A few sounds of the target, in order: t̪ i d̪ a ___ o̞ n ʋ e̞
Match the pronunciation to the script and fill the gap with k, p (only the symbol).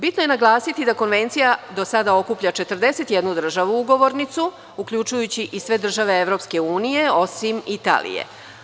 k